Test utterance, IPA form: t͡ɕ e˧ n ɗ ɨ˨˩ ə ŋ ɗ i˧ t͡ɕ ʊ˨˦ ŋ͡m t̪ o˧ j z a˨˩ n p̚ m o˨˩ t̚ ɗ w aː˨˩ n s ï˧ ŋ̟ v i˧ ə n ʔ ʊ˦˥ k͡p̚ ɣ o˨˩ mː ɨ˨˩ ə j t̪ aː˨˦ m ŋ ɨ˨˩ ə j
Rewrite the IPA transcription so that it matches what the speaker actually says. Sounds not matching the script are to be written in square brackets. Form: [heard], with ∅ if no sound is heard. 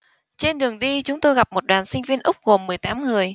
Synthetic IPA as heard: t͡ɕ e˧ n ɗ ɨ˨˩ ə ŋ ɗ i˧ t͡ɕ ʊ˨˦ ŋ͡m t̪ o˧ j [ɣ] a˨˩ [∅] p̚ m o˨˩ t̚ ɗ w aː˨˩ n s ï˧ ŋ̟ v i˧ ə n ʔ ʊ˦˥ k͡p̚ ɣ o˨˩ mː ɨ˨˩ ə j t̪ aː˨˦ m ŋ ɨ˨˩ ə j